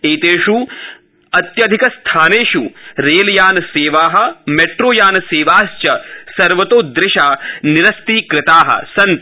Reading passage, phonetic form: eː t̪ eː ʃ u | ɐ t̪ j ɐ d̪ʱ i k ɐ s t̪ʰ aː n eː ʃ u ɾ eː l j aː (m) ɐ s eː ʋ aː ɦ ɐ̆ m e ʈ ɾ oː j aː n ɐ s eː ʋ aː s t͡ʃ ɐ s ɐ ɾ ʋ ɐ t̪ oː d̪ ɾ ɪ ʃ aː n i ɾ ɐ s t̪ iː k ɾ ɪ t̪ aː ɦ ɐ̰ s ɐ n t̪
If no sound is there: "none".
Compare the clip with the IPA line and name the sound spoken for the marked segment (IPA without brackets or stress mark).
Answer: n